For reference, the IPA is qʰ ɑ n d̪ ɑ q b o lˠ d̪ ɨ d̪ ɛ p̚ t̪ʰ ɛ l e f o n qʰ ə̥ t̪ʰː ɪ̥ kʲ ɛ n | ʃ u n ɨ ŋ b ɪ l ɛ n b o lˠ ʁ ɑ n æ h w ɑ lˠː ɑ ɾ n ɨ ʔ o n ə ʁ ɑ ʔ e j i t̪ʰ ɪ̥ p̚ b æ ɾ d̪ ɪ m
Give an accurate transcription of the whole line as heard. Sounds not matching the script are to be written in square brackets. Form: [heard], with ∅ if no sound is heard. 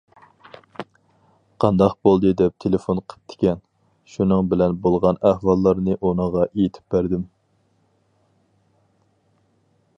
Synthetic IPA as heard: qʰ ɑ n d̪ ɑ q b o lˠ d̪ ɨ d̪ ɛ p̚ t̪ʰ [e] l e f o n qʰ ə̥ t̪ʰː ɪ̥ kʲ ɛ n | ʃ u n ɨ ŋ b ɪ l ɛ n b o lˠ ʁ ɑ n æ h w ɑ lˠː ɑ ɾ n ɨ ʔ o n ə ʁ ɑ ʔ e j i t̪ʰ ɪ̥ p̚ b æ ɾ d̪ ɪ m